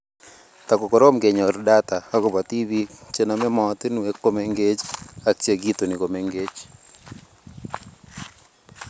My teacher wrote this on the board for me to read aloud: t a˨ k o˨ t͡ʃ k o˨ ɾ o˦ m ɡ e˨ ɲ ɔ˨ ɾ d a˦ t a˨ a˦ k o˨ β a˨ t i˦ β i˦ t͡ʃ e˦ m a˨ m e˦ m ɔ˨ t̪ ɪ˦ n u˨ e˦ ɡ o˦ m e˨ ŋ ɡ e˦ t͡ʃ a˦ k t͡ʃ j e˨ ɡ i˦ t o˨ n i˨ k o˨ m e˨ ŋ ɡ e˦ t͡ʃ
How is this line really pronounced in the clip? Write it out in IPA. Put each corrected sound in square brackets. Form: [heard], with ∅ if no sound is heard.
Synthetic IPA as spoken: t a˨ k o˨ [∅] k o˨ ɾ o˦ m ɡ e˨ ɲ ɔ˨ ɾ d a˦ t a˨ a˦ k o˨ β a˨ t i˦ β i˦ t͡ʃ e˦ [n] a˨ m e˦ m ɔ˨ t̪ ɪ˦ n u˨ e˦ [k] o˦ m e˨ ŋ ɡ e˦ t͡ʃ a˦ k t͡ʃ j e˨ ɡ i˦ t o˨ n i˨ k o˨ m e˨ ŋ ɡ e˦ t͡ʃ

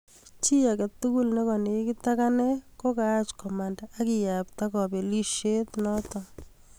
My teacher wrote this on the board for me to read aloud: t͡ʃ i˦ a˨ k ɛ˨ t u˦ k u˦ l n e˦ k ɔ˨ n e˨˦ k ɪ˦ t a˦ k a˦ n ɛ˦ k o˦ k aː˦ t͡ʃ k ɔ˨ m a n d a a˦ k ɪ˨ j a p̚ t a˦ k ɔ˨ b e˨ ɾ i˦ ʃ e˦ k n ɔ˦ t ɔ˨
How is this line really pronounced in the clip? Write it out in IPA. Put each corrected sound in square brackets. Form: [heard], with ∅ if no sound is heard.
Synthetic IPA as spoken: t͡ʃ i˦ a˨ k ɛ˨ t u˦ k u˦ l n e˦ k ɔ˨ n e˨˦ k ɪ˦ t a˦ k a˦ n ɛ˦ k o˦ k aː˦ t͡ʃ k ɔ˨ m a n d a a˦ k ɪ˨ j a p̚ t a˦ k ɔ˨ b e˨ [l] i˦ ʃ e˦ [t] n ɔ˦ t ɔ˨

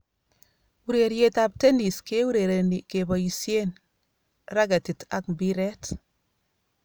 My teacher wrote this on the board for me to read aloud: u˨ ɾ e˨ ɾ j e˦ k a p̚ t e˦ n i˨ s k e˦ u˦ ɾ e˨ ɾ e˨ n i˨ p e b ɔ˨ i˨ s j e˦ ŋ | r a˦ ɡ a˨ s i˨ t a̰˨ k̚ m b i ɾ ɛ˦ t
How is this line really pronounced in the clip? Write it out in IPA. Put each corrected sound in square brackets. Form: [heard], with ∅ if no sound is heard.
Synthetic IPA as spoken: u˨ ɾ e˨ ɾ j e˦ [t] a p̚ t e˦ n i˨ s k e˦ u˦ ɾ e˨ ɾ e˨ n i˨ [k] e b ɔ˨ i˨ s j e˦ [n] | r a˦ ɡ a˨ [t] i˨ t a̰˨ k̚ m b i ɾ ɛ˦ t

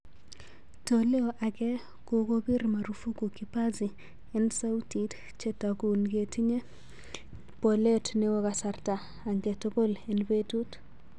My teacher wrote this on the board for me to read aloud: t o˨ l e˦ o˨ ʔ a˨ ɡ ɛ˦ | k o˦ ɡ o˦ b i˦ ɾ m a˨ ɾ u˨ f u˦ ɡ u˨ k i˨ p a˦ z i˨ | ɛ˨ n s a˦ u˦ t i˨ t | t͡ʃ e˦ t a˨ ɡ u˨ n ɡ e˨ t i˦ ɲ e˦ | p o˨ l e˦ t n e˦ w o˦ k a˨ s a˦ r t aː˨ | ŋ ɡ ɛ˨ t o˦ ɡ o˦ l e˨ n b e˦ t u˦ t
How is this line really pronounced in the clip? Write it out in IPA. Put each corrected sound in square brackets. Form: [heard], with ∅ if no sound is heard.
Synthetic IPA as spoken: t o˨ l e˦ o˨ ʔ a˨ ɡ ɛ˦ | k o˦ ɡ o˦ b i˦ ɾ m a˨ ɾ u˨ f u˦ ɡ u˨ k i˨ p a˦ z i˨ | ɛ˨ n s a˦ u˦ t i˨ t | t͡ʃ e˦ t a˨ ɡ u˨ n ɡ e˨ t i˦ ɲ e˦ | p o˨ l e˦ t n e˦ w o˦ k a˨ s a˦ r t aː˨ | ŋ ɡ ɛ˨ t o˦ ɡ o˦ l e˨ n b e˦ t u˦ t

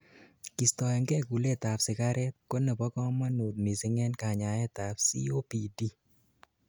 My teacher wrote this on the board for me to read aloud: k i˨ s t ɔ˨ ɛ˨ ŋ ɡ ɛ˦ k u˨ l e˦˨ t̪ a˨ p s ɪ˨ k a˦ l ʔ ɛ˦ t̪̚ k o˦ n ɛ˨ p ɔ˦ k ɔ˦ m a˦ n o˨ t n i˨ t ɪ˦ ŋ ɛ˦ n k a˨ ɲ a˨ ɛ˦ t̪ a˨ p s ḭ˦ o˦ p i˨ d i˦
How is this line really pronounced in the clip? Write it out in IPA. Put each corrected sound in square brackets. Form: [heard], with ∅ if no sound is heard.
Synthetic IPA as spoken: k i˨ s t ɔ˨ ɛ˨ ŋ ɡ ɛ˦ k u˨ l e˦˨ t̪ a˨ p s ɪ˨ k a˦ [ɾ] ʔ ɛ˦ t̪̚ k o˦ n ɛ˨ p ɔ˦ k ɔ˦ m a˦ n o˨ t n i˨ [s] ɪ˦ ŋ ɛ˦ n k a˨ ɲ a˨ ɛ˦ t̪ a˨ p s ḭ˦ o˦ p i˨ d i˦

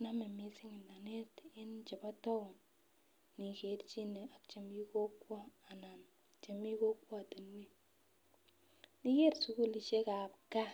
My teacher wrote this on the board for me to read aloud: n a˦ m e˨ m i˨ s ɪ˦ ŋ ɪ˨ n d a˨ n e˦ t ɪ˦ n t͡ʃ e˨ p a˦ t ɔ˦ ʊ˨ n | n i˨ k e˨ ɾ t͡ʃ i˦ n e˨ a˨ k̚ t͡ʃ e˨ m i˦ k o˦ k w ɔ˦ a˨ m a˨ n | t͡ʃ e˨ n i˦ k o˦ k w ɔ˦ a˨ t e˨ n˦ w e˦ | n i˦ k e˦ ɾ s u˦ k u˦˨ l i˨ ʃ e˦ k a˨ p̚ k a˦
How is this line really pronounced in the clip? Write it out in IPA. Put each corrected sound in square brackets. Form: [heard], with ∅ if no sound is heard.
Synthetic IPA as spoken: n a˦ m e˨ m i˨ s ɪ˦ ŋ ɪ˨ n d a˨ n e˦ t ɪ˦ n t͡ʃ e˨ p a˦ t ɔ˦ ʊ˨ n | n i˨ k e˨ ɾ t͡ʃ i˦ n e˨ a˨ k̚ t͡ʃ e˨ m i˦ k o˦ k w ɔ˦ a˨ [n] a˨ n | t͡ʃ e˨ [m] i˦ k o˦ k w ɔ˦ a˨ t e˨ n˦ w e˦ | n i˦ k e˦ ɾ s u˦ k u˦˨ l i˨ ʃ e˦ k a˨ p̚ k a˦

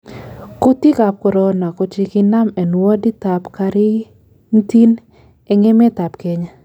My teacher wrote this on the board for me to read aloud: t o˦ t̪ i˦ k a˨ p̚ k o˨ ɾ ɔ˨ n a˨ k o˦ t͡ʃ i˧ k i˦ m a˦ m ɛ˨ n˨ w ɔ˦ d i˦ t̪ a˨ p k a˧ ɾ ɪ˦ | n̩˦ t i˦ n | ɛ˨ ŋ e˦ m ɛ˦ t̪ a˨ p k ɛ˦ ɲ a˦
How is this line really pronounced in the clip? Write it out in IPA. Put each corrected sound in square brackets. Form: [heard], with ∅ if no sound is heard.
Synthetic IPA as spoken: [k] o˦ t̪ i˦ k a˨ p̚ k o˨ ɾ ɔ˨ n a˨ k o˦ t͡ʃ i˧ k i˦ [n] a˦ m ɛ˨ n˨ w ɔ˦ d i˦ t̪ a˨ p k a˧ ɾ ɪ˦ | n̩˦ t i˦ n | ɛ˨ ŋ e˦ m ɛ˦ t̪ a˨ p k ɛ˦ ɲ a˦

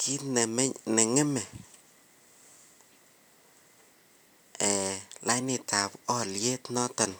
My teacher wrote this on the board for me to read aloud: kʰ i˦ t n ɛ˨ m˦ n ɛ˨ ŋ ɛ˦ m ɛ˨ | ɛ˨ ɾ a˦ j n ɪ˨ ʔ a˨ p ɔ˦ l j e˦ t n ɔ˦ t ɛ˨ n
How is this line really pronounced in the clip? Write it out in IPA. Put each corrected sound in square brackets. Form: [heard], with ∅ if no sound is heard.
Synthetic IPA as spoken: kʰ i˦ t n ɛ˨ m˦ n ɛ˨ ŋ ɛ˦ m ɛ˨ | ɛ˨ [l] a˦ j n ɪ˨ [t] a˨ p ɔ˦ l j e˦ t n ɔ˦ t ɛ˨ n

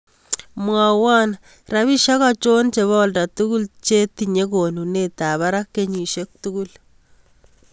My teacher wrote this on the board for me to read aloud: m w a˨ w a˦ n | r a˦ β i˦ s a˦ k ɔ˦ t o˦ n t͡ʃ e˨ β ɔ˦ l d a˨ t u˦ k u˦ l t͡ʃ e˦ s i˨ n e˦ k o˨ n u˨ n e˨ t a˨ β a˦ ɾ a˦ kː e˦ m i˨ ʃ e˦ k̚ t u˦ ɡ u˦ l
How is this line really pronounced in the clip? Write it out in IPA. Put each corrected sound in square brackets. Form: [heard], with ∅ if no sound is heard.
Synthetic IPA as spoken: m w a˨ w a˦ n | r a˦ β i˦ [ʃ] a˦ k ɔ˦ [t͡ʃ] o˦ n t͡ʃ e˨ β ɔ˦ l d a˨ t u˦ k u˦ l t͡ʃ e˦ [t] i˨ [ɲ] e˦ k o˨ n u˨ n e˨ t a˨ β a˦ ɾ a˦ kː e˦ [ɲ] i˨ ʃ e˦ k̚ t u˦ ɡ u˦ l

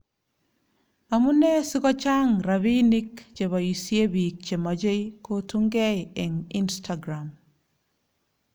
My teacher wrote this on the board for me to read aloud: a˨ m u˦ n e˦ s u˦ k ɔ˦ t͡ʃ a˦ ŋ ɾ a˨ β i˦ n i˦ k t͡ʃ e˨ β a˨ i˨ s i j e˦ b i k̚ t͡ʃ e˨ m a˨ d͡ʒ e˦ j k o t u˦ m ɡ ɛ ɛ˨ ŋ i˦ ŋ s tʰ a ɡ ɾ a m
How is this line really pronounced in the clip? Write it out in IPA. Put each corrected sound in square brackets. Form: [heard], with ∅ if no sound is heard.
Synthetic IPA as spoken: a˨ m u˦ n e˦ s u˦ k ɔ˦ t͡ʃ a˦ ŋ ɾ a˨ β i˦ n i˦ k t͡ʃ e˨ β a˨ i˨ s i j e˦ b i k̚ t͡ʃ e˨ m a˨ d͡ʒ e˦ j k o t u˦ [ŋ] ɡ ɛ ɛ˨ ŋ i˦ [n] s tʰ a ɡ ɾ a m

